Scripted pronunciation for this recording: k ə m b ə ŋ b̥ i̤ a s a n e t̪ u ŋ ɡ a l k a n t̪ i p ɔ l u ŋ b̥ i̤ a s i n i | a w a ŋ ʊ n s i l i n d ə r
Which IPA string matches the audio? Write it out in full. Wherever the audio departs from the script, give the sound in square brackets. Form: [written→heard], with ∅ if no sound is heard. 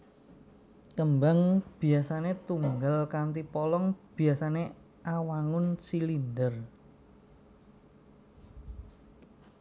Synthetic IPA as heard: k ə m b [ə→a] ŋ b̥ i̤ a s a n e t̪ u ŋ ɡ a l k a n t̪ i p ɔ l [u→ɔ] ŋ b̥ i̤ a s [i→a] n [i→e] | a w a ŋ ʊ n s i l i n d ə r